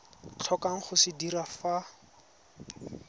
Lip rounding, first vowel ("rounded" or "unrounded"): rounded